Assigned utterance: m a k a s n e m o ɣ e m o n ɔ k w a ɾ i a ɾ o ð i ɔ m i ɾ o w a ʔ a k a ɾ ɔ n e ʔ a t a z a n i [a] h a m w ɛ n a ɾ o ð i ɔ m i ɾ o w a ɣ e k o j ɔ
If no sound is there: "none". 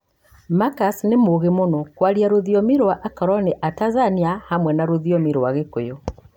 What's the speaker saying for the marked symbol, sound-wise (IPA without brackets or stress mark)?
a